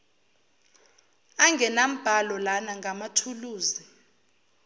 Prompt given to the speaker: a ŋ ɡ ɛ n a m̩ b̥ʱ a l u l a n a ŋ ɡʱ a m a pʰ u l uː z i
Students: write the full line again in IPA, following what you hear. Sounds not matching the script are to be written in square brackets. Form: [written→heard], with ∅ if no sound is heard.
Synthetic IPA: a ŋ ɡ ɛ n a m̩ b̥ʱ a l [u→ɔ] l a n a ŋ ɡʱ a m a [pʰ→tʰ] u l uː z i